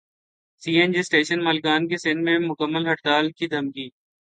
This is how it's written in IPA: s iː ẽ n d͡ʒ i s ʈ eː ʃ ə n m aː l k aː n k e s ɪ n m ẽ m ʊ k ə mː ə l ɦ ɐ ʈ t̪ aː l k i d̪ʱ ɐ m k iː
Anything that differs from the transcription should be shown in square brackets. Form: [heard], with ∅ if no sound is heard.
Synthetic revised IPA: s iː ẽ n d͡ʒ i s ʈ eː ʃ ə n m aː l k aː n k e s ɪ n m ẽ m ʊ k ə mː ə l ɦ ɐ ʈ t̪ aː l k i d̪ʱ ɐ m k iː